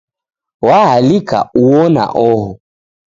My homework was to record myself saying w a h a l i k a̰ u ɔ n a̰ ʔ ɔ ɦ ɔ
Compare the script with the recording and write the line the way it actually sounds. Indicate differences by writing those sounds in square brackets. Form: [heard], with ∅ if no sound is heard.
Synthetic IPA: w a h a l i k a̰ u ɔ n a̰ ʔ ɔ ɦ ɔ